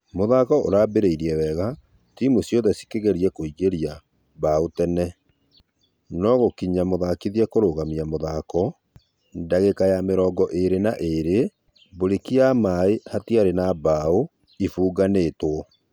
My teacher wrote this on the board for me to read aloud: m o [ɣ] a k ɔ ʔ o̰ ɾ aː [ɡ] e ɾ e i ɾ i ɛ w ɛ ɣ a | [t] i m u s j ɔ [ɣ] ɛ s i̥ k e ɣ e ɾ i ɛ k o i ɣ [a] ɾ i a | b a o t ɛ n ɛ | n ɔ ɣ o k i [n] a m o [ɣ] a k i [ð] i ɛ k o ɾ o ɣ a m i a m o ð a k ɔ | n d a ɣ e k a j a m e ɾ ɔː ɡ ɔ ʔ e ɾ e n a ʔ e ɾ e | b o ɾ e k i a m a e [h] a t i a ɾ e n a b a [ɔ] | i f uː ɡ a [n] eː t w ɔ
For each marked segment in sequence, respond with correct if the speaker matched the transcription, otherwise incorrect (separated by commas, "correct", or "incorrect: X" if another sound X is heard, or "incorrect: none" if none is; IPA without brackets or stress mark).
incorrect: ð, incorrect: b, correct, incorrect: ð, incorrect: e, incorrect: ɲ, incorrect: ð, correct, correct, incorrect: o, correct